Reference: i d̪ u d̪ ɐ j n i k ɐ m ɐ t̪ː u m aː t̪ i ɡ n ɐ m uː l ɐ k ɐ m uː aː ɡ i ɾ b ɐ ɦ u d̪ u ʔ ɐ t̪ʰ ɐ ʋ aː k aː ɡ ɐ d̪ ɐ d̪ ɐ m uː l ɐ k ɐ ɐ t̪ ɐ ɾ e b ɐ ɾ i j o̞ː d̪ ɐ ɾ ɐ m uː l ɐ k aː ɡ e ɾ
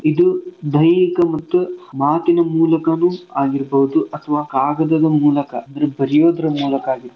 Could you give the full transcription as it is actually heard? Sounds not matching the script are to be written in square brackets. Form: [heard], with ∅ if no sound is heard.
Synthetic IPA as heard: i d̪ u d̪ ɐ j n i k ɐ m ɐ t̪ː u m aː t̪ i [∅] n ɐ m uː l ɐ k ɐ [n] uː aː ɡ i ɾ b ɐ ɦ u d̪ u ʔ ɐ t̪ʰ ɐ ʋ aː k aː ɡ ɐ d̪ ɐ d̪ ɐ m uː l ɐ k ɐ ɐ [d̪] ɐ ɾ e b ɐ ɾ i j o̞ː d̪ ɐ ɾ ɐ m uː l ɐ k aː ɡ [i] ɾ